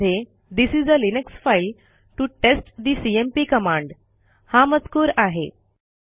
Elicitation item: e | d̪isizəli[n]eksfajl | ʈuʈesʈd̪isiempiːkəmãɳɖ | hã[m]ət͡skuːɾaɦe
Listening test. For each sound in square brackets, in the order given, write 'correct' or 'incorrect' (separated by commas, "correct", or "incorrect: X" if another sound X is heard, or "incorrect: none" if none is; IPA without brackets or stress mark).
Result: correct, correct